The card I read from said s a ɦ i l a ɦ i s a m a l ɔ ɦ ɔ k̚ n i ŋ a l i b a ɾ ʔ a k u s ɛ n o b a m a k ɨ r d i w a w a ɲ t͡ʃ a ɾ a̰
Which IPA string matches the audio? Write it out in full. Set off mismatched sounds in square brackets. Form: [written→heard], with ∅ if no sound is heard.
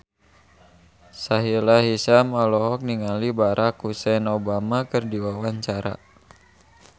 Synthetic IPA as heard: s a ɦ i l a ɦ i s a m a l ɔ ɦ ɔ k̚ n i ŋ a l i b a ɾ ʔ a k u s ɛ n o b a m a k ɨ r d i w a w a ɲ t͡ʃ a ɾ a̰